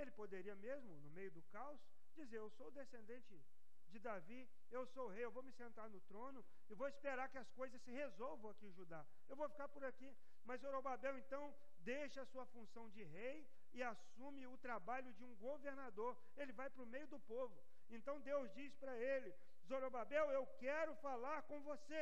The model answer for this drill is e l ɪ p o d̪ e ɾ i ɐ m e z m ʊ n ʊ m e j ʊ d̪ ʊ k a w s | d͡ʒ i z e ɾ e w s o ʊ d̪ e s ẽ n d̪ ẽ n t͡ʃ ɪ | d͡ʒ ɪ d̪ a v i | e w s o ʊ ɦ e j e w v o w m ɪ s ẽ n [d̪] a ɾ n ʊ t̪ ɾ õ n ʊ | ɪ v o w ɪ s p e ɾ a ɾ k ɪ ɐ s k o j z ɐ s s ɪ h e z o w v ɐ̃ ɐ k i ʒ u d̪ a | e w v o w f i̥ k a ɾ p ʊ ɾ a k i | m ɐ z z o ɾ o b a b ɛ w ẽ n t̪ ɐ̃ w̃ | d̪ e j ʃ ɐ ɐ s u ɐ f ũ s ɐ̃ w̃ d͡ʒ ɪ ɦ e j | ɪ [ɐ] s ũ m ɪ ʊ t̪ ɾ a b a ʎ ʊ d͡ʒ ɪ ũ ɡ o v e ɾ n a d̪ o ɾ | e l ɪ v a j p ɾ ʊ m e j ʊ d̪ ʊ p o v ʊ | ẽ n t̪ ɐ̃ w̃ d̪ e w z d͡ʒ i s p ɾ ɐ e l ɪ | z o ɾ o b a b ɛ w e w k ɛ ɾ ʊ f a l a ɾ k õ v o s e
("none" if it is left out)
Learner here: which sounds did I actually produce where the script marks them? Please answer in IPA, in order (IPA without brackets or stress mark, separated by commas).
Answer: t̪, a